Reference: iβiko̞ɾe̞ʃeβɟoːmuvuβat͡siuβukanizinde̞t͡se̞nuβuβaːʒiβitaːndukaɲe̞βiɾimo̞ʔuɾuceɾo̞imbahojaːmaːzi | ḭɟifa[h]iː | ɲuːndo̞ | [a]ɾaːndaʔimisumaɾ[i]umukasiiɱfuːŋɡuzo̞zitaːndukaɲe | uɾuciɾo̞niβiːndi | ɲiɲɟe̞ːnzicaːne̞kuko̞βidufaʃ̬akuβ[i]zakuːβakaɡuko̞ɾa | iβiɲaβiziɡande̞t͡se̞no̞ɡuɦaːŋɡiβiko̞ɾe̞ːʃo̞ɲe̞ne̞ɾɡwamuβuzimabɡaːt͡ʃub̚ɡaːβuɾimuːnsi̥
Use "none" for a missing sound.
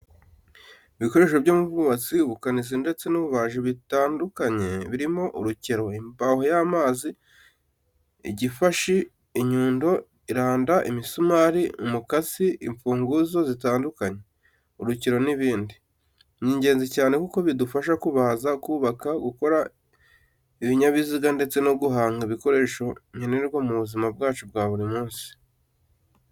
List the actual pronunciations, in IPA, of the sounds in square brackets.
ʃ, i, i, a

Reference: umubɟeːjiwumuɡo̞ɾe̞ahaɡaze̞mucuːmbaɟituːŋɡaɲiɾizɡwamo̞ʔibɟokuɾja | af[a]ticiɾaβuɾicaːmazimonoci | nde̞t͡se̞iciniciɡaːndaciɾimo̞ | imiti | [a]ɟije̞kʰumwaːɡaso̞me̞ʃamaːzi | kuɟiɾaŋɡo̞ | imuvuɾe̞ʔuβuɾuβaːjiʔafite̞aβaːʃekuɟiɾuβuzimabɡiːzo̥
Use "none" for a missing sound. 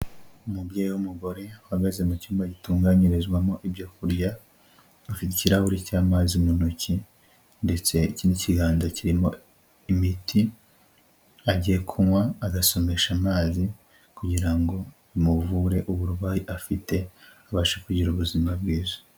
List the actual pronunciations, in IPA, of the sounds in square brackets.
i, a

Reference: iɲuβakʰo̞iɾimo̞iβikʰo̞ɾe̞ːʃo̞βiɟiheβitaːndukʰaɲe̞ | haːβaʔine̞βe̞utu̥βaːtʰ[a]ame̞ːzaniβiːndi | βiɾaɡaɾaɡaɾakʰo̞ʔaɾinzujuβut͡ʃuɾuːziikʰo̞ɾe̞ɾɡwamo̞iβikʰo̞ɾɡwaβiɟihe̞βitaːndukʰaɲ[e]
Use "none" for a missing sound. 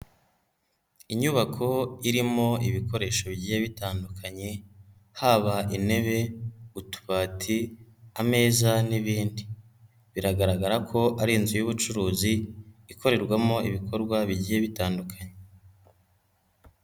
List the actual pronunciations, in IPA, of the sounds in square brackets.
i, e

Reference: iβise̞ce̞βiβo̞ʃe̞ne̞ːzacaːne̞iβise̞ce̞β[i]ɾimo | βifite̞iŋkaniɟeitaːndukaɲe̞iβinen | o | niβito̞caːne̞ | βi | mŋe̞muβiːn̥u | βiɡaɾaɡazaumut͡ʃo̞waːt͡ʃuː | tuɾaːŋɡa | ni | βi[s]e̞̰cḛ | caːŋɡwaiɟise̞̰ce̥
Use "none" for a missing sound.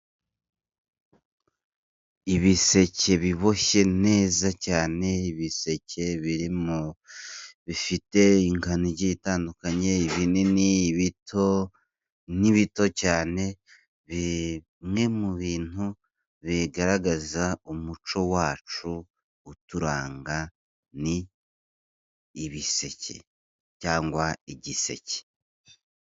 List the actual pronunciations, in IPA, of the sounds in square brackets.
i, s

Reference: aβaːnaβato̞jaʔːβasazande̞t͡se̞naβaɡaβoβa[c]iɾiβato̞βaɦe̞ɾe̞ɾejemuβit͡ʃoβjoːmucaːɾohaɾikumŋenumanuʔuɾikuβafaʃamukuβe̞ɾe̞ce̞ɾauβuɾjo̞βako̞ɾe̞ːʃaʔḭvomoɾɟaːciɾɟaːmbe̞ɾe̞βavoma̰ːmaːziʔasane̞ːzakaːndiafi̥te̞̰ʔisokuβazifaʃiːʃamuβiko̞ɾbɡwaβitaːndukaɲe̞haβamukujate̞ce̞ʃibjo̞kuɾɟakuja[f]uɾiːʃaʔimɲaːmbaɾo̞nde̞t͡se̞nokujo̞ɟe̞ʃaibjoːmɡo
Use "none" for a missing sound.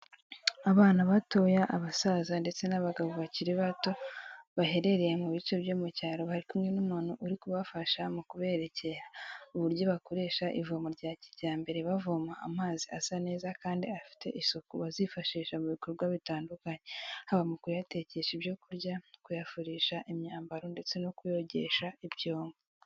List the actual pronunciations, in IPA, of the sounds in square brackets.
c, f

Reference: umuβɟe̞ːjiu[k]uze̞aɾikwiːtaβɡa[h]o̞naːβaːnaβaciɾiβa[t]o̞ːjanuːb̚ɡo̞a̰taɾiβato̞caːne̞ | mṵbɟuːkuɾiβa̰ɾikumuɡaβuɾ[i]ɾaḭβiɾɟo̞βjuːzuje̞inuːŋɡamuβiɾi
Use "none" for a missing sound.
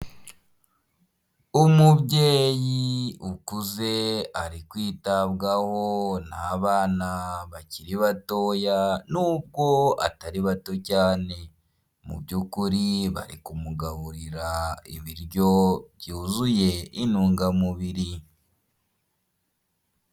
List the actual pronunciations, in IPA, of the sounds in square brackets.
k, h, t, i

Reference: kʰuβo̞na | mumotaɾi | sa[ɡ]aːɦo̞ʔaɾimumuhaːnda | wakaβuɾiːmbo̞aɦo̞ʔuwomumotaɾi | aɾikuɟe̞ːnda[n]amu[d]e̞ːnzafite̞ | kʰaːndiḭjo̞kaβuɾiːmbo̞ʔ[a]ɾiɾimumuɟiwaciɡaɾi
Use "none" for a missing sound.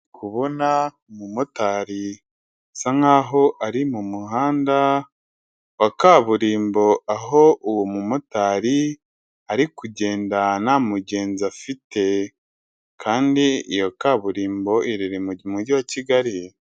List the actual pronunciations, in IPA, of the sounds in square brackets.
ŋ, n, ɟ, i

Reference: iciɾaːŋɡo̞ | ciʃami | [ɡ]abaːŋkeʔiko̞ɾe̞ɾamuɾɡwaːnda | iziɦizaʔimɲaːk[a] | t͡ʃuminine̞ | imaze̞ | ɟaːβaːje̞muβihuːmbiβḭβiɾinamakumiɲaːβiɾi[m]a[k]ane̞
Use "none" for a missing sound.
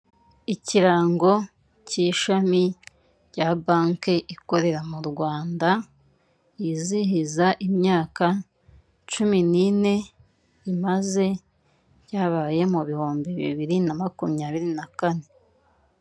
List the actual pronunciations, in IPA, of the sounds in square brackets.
ɟ, a, n, k

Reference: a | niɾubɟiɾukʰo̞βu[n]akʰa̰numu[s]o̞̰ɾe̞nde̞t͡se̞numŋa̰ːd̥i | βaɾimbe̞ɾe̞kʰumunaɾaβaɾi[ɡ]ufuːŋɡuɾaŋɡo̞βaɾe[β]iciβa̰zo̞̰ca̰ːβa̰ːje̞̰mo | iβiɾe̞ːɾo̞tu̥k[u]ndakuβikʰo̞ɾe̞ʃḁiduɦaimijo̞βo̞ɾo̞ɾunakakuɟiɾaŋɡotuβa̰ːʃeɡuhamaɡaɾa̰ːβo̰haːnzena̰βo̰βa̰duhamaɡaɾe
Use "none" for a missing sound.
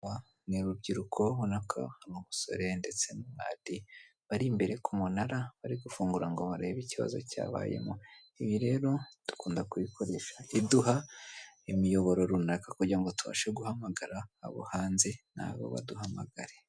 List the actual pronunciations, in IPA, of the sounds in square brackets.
n, s, ɡ, β, uː

